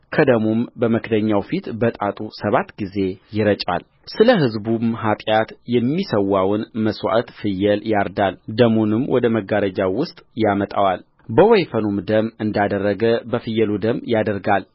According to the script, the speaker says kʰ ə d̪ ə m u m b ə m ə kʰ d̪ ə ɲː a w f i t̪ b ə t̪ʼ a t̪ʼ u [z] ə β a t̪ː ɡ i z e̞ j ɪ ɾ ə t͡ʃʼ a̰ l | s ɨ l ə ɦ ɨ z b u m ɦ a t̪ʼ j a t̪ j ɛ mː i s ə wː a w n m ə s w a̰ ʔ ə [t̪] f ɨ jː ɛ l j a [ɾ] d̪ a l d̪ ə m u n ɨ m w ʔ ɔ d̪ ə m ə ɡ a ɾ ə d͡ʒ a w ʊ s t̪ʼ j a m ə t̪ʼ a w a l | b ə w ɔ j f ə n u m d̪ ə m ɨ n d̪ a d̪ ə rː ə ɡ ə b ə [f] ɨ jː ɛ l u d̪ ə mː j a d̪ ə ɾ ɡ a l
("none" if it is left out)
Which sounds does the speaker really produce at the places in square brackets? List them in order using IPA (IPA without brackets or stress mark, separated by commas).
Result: s, t̪, ɾ, f